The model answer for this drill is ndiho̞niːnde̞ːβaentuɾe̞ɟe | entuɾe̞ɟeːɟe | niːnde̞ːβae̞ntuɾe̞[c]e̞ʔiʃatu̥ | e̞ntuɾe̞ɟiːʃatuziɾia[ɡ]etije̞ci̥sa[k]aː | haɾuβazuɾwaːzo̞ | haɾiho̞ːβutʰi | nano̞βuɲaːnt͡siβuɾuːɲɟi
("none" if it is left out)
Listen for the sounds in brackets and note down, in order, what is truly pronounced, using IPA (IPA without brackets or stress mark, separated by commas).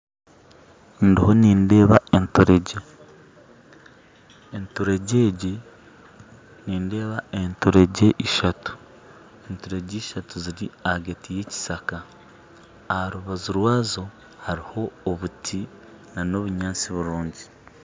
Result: ɟ, ɡ, k